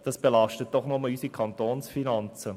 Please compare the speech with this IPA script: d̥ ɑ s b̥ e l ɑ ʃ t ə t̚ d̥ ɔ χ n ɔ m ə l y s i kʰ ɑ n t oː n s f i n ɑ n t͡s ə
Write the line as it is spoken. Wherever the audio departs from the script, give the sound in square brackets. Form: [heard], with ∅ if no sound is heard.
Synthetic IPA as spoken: d̥ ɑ s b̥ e l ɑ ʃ t ə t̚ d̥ ɔ χ n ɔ m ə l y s i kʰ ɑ n t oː n s f i n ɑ n t͡s ə